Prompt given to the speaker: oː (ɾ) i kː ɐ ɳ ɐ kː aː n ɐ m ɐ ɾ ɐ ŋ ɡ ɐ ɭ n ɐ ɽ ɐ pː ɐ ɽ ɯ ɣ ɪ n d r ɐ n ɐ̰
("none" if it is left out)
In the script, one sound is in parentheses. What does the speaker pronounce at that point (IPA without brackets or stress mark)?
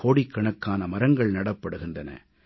ɽ